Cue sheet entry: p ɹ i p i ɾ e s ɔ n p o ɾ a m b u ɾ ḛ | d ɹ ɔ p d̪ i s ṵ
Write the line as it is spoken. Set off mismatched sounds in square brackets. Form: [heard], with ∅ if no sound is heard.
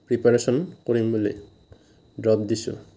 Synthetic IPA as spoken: p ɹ i p [a] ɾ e s ɔ n [k] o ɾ [i] m b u [l] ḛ | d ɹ ɔ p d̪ i s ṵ